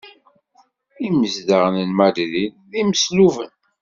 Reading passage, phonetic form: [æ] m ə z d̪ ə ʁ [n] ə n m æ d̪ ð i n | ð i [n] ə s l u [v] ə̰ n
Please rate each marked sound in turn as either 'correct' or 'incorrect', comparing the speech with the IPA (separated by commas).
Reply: incorrect, correct, incorrect, correct